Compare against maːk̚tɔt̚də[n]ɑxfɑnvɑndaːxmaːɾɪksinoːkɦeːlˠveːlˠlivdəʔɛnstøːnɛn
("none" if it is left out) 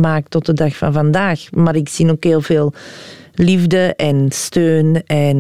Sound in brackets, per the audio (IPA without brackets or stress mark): d